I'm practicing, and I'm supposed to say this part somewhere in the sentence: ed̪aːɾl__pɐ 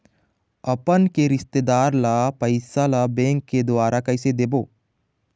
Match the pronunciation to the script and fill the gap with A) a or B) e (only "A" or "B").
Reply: A